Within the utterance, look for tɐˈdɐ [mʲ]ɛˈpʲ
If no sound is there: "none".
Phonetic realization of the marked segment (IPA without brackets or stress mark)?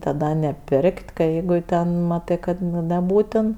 nʲ